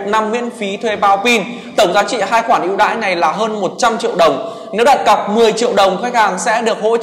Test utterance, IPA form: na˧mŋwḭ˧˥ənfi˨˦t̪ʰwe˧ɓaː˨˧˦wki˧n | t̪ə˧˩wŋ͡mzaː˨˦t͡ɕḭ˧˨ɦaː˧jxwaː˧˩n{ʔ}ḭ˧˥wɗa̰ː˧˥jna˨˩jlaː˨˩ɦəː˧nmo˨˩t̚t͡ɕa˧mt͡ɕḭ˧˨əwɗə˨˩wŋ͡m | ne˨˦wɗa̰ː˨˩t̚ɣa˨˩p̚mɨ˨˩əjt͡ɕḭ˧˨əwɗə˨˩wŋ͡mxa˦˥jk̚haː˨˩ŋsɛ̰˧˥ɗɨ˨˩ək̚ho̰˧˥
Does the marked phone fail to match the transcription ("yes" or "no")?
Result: no